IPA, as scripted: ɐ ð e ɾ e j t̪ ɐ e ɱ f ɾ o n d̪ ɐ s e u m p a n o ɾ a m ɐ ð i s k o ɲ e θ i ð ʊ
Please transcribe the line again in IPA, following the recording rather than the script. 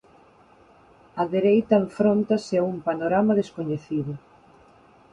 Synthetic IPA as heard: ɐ ð e ɾ e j t̪ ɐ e ɱ f ɾ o n t̪ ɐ s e u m p a n o ɾ a m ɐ ð e s k o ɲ e θ i ð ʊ